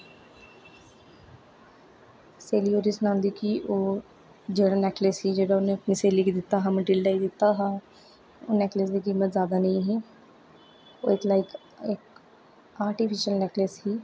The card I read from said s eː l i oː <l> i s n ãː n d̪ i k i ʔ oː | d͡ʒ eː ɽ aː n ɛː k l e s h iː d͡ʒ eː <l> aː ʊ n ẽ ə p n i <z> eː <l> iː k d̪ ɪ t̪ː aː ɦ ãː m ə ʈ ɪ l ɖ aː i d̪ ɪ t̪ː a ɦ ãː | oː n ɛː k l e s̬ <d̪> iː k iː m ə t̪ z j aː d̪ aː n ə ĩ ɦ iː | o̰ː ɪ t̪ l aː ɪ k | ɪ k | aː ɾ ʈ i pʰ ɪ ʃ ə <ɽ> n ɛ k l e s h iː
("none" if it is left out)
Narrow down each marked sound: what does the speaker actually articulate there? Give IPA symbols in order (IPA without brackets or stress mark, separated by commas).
ɾ, ɽ, s, l, d̪, l